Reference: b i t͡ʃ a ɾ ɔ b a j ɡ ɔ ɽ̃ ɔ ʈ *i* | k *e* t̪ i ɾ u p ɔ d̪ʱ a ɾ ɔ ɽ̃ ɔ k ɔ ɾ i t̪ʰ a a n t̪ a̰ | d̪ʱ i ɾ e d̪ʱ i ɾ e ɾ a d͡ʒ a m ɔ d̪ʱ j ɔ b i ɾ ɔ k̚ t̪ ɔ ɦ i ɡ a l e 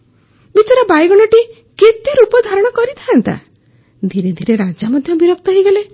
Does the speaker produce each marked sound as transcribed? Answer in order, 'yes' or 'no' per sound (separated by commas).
yes, yes